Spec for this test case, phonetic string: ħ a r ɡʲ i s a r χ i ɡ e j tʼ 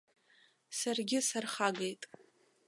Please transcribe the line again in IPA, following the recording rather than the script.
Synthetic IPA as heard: s a r ɡʲ ɪ s a r χ a ɡ e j tʼ